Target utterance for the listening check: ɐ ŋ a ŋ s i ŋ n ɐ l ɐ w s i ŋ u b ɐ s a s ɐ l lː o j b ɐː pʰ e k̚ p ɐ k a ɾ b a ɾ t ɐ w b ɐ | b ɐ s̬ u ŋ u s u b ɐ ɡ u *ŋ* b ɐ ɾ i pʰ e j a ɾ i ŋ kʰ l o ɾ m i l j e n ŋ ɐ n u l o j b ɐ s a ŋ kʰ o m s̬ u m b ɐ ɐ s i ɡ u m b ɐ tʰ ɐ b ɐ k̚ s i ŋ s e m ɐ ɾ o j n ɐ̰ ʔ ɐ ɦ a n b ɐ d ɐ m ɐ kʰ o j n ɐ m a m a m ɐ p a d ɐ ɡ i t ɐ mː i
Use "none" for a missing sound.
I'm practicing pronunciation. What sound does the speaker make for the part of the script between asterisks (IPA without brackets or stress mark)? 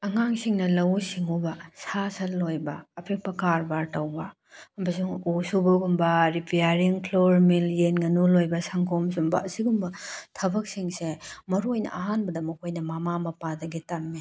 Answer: m